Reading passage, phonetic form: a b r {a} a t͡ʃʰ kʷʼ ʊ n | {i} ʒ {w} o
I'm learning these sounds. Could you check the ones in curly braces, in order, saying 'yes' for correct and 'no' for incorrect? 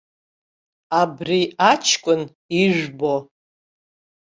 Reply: no, yes, no

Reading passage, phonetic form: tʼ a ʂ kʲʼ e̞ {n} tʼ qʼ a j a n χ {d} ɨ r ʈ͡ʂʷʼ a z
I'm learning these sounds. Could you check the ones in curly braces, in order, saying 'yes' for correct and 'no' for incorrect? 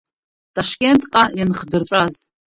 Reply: yes, yes

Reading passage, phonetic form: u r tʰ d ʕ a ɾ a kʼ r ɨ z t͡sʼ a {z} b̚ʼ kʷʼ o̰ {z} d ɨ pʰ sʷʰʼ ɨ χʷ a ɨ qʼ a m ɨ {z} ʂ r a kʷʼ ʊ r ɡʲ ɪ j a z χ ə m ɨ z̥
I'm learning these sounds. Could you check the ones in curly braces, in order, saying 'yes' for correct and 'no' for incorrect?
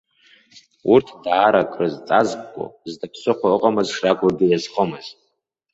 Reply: yes, yes, yes

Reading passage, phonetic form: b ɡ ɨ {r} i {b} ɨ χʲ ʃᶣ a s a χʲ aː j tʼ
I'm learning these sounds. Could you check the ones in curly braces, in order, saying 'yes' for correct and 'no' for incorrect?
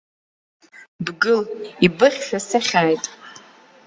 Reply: no, yes

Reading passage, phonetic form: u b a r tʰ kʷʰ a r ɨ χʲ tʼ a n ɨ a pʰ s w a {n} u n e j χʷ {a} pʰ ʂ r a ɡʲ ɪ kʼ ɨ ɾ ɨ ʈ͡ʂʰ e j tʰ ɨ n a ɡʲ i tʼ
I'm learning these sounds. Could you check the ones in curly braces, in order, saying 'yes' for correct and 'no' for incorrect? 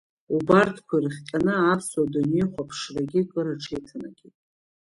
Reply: no, yes

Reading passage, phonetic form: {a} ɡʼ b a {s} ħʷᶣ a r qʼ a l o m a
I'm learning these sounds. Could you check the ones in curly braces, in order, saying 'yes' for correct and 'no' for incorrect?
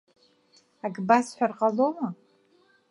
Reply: yes, yes

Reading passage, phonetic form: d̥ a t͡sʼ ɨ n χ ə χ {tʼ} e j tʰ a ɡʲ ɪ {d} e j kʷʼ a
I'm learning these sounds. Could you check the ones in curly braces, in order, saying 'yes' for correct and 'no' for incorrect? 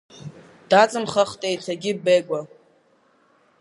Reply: yes, no

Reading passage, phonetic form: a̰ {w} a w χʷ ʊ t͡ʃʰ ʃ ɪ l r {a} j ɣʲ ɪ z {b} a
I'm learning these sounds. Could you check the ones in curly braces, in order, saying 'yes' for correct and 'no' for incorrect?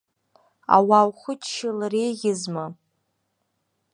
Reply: yes, no, no

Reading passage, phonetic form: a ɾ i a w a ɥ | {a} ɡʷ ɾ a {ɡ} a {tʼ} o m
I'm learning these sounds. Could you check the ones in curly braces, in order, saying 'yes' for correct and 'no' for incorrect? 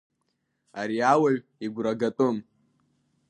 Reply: no, yes, yes

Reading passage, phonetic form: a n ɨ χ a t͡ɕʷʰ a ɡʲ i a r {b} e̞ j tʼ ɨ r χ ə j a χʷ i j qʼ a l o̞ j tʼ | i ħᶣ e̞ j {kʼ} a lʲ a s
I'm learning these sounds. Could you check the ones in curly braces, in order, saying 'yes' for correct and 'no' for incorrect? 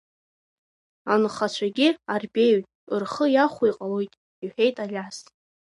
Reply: yes, no

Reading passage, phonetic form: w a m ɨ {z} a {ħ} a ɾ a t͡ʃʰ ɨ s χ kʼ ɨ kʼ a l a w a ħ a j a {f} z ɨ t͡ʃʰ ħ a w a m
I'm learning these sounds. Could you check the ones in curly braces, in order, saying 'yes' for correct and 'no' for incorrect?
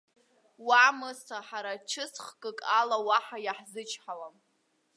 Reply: no, yes, no

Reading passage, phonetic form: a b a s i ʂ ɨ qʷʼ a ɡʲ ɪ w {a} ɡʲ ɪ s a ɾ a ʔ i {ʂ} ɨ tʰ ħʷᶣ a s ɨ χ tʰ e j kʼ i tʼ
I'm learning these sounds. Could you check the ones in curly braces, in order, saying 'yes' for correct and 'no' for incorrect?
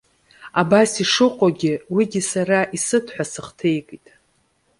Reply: no, no

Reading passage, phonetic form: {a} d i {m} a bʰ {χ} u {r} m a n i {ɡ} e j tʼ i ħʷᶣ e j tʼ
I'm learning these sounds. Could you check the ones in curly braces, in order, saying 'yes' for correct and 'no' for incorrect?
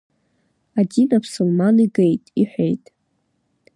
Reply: yes, no, no, no, yes

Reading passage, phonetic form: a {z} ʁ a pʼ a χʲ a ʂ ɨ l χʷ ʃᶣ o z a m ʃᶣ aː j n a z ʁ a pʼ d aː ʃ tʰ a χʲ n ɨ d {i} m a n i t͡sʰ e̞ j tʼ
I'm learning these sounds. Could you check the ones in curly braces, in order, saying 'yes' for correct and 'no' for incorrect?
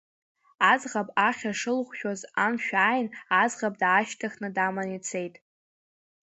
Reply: yes, no

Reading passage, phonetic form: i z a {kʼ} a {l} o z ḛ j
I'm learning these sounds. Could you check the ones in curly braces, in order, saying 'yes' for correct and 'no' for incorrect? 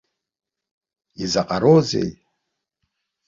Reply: no, no

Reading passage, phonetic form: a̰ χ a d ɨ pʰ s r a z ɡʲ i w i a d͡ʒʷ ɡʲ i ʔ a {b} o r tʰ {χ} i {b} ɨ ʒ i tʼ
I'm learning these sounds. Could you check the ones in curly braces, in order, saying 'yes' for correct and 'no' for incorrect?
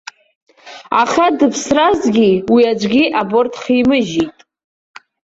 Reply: yes, yes, no

